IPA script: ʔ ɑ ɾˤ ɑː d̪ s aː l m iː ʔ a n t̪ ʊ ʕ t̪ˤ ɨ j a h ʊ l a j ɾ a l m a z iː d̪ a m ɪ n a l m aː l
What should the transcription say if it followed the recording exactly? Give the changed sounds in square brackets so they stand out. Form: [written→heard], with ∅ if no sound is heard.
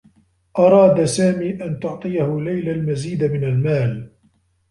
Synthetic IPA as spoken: ʔ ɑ ɾˤ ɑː d̪ s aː [l→∅] m iː ʔ a n t̪ ʊ ʕ t̪ˤ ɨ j a h ʊ l a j [ɾ→l] a l m a z iː d̪ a m ɪ n a l m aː l